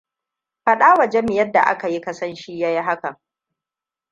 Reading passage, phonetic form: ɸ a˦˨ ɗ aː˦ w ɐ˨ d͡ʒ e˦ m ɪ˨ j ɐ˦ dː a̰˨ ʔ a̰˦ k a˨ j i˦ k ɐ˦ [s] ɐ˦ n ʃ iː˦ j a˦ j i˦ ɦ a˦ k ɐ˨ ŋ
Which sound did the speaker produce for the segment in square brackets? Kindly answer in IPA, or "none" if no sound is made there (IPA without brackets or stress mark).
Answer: s